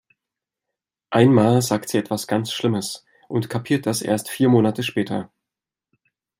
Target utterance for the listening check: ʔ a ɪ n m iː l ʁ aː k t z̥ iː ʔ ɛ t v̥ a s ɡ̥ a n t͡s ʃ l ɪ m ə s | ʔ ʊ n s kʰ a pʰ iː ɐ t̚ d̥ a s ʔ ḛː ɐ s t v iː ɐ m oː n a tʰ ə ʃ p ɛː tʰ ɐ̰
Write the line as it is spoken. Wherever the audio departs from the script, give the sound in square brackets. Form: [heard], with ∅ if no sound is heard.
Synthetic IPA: ʔ a ɪ n m [aː] l [z] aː k t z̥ iː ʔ ɛ t v̥ a s ɡ̥ a n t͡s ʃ l ɪ m ə s | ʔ ʊ n [t] kʰ a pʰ iː ɐ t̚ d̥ a s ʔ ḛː ɐ s t [f] iː ɐ m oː n a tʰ ə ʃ p ɛː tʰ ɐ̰